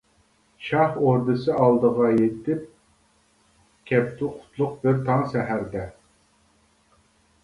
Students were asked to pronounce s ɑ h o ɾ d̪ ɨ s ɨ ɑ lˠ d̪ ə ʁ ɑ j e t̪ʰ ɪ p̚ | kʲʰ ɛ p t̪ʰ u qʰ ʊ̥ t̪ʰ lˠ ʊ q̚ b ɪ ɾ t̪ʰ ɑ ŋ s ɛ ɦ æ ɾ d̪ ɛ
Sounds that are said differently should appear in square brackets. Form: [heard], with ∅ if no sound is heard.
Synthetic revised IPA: [ʃ] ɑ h o ɾ d̪ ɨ s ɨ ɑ lˠ d̪ ə ʁ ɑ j e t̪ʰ ɪ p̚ | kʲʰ ɛ p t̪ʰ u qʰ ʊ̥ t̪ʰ lˠ ʊ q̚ b ɪ ɾ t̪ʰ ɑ ŋ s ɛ ɦ æ ɾ d̪ ɛ